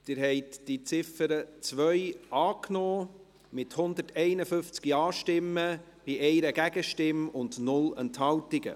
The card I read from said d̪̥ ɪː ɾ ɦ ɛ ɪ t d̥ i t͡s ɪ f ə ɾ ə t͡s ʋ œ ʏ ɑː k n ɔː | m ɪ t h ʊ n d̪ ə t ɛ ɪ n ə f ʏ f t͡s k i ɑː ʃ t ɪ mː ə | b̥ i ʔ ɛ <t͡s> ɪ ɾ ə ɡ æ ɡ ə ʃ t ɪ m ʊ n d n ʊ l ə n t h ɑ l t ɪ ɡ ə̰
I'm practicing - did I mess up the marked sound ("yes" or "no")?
yes